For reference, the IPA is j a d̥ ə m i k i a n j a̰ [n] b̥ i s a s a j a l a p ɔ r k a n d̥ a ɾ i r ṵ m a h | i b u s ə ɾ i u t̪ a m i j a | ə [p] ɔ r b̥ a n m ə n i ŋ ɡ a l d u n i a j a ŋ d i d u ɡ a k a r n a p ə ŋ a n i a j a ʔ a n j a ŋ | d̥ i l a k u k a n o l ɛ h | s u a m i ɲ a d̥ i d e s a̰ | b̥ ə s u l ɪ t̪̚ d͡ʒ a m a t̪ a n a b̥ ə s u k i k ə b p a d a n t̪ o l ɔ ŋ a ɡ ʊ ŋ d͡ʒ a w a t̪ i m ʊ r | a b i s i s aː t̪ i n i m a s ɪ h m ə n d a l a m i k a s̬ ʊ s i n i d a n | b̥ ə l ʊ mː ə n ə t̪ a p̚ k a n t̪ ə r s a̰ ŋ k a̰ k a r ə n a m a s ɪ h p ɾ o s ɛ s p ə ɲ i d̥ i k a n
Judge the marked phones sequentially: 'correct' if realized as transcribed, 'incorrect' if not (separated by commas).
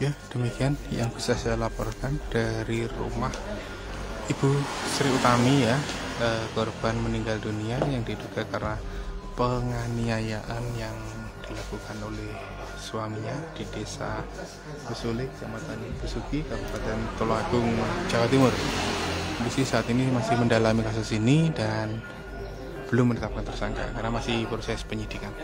incorrect, incorrect